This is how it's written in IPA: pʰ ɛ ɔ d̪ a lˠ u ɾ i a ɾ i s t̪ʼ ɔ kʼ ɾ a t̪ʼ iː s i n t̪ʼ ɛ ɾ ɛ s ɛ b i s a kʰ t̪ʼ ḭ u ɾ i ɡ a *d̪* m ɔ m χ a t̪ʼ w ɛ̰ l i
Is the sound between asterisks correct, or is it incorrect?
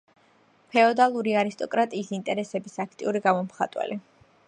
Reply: incorrect